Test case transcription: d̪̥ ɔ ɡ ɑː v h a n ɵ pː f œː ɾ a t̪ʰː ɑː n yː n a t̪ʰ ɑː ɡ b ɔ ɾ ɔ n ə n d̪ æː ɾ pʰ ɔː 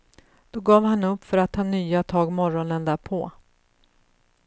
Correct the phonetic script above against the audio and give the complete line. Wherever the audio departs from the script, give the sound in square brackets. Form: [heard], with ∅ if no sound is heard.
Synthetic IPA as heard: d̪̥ ɔ ɡ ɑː v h a n ɵ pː f [œ] ɾ a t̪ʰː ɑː n yː [∅] a t̪ʰ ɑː ɡ [m] ɔ ɾ ɔ n ə n d̪ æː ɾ pʰ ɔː